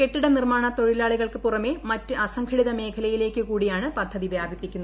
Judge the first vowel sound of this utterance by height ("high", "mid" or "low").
mid